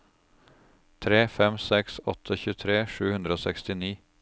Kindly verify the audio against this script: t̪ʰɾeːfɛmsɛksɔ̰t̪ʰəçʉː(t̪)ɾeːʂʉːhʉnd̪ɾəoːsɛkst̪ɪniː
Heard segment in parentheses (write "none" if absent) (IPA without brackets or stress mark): t̪ʰ